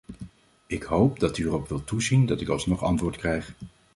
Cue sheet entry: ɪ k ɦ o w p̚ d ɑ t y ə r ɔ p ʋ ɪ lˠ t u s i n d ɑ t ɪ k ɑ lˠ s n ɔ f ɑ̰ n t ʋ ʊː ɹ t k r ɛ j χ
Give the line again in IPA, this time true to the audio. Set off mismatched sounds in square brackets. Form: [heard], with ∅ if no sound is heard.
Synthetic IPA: ɪ k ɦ o w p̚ d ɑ t y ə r ɔ p ʋ ɪ lˠ t u [z] i n d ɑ t ɪ k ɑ lˠ s n ɔ [χ] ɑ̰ n t ʋ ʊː ɹ t k r ɛ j χ

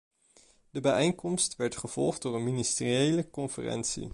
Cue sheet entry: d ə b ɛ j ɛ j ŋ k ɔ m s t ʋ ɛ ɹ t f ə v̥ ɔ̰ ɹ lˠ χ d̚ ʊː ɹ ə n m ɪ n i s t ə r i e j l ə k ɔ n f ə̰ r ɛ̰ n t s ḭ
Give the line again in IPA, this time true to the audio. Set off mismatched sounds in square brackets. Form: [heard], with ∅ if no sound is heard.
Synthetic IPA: d ə b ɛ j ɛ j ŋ k ɔ m s t ʋ ɛ ɹ t [χ] ə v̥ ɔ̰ [∅] lˠ χ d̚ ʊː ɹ ə n m [i] n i s t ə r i e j l ə k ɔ n f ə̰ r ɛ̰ n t s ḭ

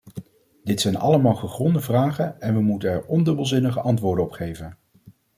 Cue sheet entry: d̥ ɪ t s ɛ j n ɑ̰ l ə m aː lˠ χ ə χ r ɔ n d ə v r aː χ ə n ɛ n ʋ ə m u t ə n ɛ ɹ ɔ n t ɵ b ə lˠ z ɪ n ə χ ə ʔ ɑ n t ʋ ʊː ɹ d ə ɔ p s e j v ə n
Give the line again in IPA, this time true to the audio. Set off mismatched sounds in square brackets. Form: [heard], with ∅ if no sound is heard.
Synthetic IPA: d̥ ɪ t s ɛ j n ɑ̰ l ə m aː lˠ χ ə χ r ɔ n d ə v r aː χ ə n ɛ n ʋ ə m u t ə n ɛ ɹ ɔ n [d] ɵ b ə lˠ z ɪ n ə χ ə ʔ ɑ n t ʋ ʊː ɹ d ə ɔ p [χ] e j v ə n

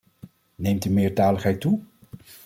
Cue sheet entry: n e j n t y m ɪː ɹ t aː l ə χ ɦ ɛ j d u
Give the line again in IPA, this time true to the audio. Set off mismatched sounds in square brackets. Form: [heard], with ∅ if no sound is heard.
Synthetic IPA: n e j [m] t y m ɪː ɹ t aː l ə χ ɦ ɛ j [t] u

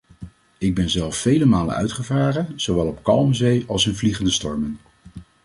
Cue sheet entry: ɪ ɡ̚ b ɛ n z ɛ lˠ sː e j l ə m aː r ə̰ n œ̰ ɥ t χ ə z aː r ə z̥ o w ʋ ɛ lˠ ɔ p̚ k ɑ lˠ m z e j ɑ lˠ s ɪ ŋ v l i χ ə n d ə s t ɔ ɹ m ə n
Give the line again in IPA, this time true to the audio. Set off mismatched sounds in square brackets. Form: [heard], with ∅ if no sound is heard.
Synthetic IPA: ɪ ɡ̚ b ɛ n z ɛ lˠ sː e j l ə m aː [l] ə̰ n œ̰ ɥ t χ ə [v] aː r ə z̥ o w ʋ ɛ lˠ ɔ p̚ k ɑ lˠ m z e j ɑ lˠ s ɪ [n] v l i χ ə n d ə s t ɔ ɹ m ə n

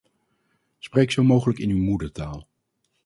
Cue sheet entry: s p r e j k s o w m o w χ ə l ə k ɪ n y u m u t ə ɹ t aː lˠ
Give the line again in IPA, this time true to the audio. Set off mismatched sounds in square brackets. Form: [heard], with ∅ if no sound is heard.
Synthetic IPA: s p r e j k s o w m o w χ ə l ə k ɪ n y [w] m u [d] ə ɹ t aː lˠ

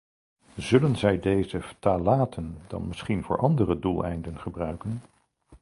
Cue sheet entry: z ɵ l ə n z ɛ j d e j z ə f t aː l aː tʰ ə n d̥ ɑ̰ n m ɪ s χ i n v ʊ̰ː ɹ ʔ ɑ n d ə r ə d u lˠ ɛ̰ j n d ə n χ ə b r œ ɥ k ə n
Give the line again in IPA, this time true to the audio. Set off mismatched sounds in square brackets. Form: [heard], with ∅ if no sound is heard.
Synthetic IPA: z ɵ l ə n z ɛ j d e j z ə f t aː l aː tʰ ə n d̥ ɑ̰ n m ɪ s χ i n v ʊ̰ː ɹ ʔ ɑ n d ə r ə d u lˠ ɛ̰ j n d ə n χ ə b r œ ɥ k ə n

